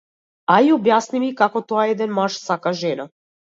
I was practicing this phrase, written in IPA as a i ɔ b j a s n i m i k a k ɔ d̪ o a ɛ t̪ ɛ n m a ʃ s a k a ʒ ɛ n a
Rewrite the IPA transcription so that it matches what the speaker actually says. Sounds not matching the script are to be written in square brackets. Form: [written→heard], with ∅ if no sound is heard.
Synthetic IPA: a i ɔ b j a s n i m i k a k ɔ [d̪→t̪] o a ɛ [t̪→d̪] ɛ n m a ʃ s a k a ʒ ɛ n a